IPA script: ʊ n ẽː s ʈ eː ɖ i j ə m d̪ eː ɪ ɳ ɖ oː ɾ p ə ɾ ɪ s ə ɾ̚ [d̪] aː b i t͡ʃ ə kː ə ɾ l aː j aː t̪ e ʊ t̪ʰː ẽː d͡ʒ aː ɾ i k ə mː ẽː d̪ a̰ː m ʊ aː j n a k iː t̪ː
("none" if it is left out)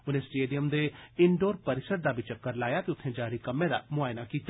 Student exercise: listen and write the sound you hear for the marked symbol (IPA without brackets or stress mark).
d̪